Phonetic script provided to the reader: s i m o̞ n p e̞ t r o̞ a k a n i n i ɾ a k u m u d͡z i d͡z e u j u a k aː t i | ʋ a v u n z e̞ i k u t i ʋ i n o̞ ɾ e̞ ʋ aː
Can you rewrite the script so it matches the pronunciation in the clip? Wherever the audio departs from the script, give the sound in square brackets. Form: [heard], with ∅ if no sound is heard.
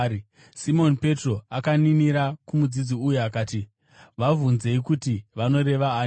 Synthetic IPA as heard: s i m o̞ n p e̞ t r o̞ a k a n i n i ɾ a k u m u d͡z i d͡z [i] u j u a k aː t i | ʋ a v u n z e̞ i k u t i ʋ [a] n o̞ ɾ e̞ ʋ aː